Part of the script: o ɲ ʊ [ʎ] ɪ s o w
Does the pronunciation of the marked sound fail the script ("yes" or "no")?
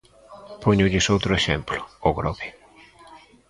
no